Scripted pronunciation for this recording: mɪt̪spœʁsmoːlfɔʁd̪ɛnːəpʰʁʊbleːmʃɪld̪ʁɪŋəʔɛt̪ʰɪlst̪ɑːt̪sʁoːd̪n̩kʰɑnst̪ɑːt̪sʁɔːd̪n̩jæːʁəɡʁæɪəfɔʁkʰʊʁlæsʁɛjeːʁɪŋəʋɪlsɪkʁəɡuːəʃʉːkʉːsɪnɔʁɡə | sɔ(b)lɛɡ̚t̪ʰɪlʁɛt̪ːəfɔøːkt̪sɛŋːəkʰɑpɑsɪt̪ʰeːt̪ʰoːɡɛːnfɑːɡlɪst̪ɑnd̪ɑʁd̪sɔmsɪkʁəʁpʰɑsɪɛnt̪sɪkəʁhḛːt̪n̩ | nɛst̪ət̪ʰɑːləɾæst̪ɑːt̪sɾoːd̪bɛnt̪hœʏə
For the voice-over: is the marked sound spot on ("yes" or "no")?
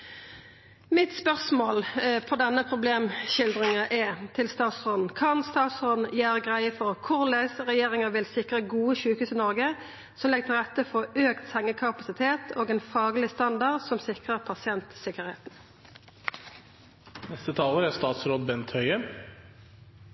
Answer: no